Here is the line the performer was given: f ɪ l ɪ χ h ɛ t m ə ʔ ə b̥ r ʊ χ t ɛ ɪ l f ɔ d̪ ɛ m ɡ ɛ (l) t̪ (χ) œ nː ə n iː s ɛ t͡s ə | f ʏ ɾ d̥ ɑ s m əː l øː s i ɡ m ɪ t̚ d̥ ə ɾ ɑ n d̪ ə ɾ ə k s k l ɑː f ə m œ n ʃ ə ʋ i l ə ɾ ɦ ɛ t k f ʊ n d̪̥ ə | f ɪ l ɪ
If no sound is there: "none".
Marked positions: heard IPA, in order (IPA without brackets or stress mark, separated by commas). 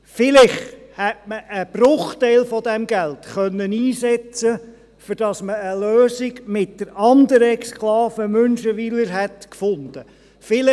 l, χ